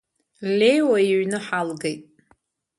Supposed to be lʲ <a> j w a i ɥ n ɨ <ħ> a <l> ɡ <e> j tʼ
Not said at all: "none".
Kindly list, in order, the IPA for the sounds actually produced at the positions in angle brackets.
e, ħ, l, e

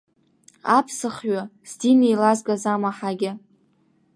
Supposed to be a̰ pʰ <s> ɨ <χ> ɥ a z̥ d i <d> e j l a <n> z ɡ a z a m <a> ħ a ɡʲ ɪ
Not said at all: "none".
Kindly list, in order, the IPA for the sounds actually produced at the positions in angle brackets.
s, χ, n, none, a

